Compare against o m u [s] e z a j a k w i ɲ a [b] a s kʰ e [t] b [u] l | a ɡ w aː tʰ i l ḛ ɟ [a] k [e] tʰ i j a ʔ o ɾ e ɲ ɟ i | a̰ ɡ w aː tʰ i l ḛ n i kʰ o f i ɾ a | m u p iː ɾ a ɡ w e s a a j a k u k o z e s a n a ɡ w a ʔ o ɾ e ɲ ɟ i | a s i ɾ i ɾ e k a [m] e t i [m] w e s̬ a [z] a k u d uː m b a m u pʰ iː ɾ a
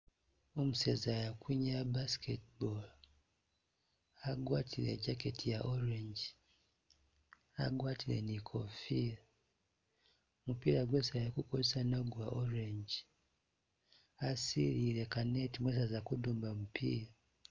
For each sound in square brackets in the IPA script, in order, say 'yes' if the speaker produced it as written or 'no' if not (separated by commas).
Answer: yes, yes, yes, no, yes, yes, no, yes, yes